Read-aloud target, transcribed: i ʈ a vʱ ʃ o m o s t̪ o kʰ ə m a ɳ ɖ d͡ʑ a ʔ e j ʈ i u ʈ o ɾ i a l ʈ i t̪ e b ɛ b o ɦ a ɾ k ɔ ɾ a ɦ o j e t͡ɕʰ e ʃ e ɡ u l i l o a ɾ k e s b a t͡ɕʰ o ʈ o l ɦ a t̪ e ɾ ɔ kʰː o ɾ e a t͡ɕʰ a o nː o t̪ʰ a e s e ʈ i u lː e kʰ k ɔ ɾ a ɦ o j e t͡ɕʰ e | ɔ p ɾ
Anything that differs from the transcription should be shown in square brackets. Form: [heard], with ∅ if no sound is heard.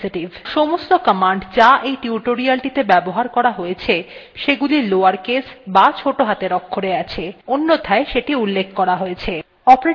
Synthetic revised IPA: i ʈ [i] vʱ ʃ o m o s t̪ o [k] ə m a ɳ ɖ d͡ʑ a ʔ e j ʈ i u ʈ o ɾ i a l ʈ i t̪ e b ɛ b o ɦ a ɾ k ɔ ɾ a ɦ o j e t͡ɕʰ e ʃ e ɡ u l i l o a ɾ k e s b a t͡ɕʰ o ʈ o [∅] ɦ a t̪ e ɾ ɔ kʰː o ɾ e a t͡ɕʰ [e] o nː o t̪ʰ a e [ʃ] e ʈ i u lː e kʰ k ɔ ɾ a ɦ o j e t͡ɕʰ e | ɔ p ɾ

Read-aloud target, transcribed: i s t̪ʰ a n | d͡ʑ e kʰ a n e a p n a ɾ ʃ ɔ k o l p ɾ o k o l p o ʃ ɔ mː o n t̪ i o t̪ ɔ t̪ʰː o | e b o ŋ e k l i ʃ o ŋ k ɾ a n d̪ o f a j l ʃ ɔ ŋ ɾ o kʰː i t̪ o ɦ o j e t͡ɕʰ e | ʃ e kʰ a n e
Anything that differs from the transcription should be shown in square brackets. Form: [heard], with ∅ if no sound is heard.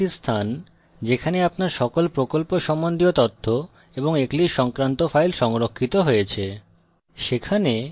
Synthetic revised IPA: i s t̪ʰ a n | d͡ʑ e kʰ a n e a p n a ɾ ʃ ɔ k o l p ɾ o k o l p o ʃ ɔ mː o n [d̪] i o t̪ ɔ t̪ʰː o | e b o ŋ e k l i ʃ [ɔ] ŋ k ɾ a n [t̪] o f a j l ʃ ɔ ŋ ɾ o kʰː i t̪ o ɦ o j e t͡ɕʰ e | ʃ e kʰ a n e

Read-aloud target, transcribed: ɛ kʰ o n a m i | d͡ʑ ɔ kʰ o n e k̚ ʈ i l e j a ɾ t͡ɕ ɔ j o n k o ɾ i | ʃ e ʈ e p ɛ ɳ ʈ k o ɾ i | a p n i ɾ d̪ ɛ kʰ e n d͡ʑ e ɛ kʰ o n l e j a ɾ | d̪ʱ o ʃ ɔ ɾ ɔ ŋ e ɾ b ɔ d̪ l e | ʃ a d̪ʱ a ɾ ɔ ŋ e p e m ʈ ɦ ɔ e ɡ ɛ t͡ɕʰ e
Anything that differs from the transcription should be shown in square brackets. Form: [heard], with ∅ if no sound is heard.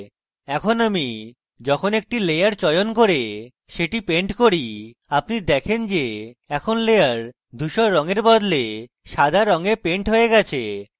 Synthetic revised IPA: ɛ kʰ o n a m i | d͡ʑ ɔ kʰ o n e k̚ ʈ i l e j a ɾ t͡ɕ ɔ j o n k o ɾ [e] | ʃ e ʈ [i] p [e] ɳ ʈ k o ɾ i | a p n i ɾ d̪ ɛ kʰ e n d͡ʑ e ɛ kʰ o n l e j a ɾ | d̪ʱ [u] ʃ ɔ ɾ ɔ ŋ e ɾ b ɔ d̪ l e | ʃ a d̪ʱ a ɾ ɔ ŋ e p e [ɳ] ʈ ɦ [o] e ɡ ɛ t͡ɕʰ e

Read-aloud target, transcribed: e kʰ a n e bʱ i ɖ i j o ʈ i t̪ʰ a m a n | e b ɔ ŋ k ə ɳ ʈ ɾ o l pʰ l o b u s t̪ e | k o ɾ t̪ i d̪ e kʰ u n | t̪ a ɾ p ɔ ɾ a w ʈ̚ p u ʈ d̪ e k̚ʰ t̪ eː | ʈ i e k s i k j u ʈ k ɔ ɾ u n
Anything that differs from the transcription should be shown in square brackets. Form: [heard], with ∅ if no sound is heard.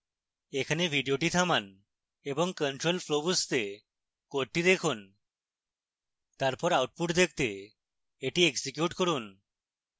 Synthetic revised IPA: e kʰ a n e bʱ i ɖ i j o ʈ i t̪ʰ a m a n | e b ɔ ŋ k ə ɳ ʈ ɾ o l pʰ l o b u s t̪ e | k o ɾ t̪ i d̪ e kʰ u n | t̪ a ɾ p ɔ ɾ a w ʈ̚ p u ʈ d̪ e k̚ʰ t̪ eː | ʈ i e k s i k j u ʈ k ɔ ɾ u n

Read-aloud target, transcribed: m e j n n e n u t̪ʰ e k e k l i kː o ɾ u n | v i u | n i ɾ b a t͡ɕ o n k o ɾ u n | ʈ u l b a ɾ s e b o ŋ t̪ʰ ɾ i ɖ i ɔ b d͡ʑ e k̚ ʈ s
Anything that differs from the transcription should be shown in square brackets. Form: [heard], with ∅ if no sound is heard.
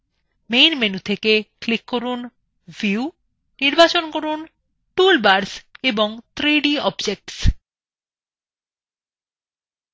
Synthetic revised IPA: m e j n [m] e n u t̪ʰ e k e k l i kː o ɾ u n | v i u | n i ɾ b a t͡ɕ o n k o ɾ u n | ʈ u l b a ɾ s e b o ŋ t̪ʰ ɾ i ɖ i ɔ b d͡ʑ e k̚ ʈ s

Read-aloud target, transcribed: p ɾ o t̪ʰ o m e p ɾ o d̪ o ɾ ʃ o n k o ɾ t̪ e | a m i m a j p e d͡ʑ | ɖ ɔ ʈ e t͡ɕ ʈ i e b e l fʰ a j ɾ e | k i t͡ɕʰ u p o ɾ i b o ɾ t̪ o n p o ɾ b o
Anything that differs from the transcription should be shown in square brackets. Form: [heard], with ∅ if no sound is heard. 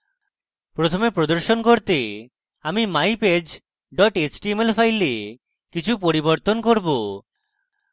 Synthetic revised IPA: p ɾ o t̪ʰ o m e p ɾ o d̪ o ɾ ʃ o n k o ɾ t̪ e | a m i m a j p e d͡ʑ | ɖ ɔ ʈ e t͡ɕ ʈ i e [m] e l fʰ a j [l] e | k i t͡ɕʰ u p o ɾ i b o ɾ t̪ o n [k] o ɾ b o

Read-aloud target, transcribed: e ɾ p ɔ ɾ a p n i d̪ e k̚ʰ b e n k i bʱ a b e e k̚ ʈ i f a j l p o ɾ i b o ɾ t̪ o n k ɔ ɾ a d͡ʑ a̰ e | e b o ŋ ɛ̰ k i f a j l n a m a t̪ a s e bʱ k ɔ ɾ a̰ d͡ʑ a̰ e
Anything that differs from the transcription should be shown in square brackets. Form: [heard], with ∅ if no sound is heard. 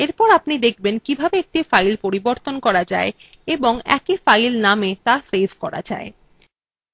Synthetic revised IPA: e ɾ p ɔ ɾ a p n i d̪ e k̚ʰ b e n k i bʱ a b e e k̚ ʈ i f a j l p o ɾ i b o ɾ t̪ o n k ɔ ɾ a d͡ʑ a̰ e | e b o ŋ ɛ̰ k i f a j l n a m [e] t̪ a s e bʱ k ɔ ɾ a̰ d͡ʑ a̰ e

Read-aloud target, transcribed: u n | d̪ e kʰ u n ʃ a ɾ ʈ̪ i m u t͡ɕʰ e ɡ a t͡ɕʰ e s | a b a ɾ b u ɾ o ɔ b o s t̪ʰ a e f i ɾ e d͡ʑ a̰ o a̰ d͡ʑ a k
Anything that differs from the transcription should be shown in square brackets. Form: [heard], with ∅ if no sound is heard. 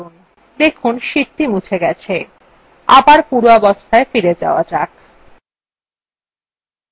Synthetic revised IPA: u n | d̪ e kʰ u n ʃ [i] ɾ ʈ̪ i m u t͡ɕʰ e ɡ [ɛ] t͡ɕʰ e [∅] | a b a ɾ [p] u ɾ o ɔ b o s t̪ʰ a e f i ɾ e d͡ʑ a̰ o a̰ d͡ʑ a k

